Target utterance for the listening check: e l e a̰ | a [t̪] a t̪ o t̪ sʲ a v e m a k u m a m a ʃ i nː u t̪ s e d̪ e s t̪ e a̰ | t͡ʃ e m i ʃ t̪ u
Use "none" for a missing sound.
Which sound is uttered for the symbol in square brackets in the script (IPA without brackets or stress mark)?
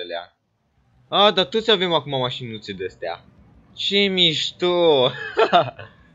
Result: d̪